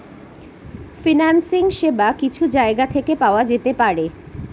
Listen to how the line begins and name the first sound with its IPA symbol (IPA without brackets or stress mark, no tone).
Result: f